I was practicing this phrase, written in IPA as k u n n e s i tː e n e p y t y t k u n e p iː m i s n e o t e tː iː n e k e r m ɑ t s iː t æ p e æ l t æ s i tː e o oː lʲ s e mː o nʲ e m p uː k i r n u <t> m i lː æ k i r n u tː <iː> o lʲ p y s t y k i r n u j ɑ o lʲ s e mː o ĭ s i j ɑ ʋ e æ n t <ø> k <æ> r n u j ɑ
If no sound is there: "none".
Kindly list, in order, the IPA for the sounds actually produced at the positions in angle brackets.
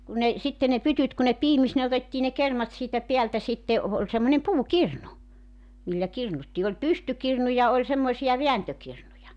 none, iː, ø, i

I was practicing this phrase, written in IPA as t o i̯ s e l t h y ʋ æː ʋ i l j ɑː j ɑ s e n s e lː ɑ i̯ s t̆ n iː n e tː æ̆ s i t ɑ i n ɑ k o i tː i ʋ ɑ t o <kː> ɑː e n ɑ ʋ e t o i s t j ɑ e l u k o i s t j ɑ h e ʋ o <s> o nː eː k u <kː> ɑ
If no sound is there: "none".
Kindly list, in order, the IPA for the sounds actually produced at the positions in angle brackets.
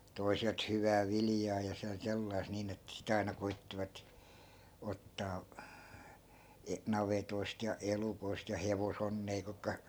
tː, s, kː

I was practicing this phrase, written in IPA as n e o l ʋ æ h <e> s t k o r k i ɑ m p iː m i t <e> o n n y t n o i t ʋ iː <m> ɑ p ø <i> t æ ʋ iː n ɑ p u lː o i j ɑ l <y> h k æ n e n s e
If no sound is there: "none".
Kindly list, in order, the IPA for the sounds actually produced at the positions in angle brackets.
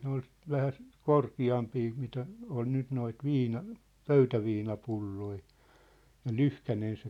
æ, æ, n, y, y

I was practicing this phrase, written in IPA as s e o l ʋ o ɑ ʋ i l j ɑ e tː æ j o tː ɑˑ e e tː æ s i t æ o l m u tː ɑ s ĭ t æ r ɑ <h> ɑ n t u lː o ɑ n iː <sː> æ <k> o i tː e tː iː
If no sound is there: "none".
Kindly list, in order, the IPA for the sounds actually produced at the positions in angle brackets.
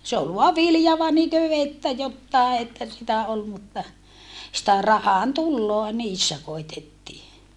h, sː, k

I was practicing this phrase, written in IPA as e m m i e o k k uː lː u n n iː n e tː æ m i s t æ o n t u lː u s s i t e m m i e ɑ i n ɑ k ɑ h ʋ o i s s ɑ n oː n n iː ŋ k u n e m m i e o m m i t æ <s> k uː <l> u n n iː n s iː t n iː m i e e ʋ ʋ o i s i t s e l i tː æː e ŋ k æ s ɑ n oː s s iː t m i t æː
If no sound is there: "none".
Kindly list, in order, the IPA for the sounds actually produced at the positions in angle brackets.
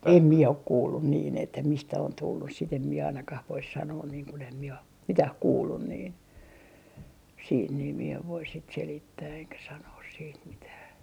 h, lː

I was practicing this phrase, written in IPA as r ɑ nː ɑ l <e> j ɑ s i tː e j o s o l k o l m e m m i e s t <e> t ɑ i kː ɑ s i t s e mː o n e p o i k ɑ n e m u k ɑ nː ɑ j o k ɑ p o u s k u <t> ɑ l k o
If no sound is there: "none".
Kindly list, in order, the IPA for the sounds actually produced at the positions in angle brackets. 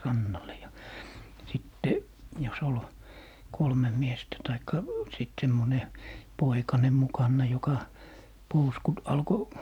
e, æ, t

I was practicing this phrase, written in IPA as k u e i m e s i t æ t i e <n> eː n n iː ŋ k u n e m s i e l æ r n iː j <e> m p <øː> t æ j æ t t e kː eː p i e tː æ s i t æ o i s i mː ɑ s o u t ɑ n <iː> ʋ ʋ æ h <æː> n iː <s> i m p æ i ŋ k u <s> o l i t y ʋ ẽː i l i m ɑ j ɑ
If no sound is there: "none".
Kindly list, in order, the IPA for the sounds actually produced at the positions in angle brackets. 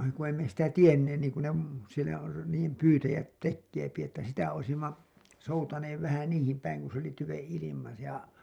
nː, e, yː, eː, æ, h, s

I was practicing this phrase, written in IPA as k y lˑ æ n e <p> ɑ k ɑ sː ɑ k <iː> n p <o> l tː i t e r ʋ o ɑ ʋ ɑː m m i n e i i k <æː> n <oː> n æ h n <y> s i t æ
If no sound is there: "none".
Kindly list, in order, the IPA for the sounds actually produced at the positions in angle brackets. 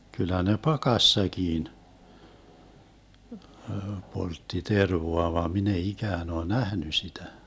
p, iː, o, æː, oː, y

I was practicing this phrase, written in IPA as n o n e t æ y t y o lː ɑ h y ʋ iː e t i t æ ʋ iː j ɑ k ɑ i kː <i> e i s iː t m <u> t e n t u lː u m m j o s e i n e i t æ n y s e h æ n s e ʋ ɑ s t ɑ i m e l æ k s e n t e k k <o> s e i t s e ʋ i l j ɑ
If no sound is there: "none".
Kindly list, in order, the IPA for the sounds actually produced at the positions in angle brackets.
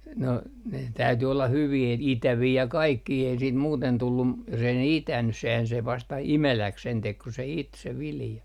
iː, uː, u

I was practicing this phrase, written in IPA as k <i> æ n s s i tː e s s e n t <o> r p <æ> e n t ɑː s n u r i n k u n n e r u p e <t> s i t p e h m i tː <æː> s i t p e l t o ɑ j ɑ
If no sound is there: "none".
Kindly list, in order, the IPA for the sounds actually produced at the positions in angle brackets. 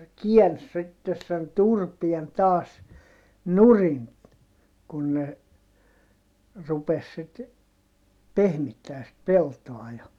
i, u, i, s, æː

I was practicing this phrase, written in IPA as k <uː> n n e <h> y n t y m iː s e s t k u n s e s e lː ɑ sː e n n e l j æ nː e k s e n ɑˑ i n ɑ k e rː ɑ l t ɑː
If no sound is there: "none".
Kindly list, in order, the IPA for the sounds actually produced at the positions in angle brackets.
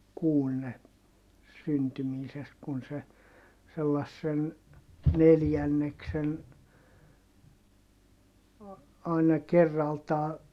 uː, s

